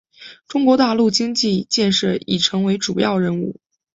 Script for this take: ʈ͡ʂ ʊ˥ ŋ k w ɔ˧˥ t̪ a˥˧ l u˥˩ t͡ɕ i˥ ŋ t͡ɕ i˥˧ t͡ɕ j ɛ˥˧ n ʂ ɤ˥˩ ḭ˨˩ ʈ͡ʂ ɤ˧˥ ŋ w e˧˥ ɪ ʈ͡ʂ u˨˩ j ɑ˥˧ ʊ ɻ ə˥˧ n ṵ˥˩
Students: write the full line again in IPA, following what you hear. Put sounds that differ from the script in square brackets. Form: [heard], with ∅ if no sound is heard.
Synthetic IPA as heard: ʈ͡ʂ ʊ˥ ŋ k w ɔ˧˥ t̪ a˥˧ l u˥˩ t͡ɕ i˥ ŋ t͡ɕ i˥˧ t͡ɕ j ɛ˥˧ n ʂ ɤ˥˩ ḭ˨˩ [ʈ͡ʂʰ] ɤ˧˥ ŋ w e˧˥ ɪ ʈ͡ʂ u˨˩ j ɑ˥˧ ʊ ɻ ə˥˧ n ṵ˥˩